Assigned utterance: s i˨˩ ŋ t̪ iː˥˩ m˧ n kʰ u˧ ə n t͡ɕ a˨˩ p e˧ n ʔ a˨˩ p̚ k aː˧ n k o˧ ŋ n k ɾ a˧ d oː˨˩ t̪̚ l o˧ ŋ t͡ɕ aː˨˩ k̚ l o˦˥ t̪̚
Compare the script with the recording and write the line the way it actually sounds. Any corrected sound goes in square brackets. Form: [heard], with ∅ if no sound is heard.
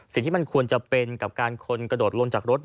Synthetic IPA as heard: s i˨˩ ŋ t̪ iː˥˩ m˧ n kʰ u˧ ə n t͡ɕ a˨˩ p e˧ n [k] a˨˩ p̚ k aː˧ n [kʰ] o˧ [∅] n k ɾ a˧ d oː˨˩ t̪̚ l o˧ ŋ t͡ɕ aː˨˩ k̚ [ɾ] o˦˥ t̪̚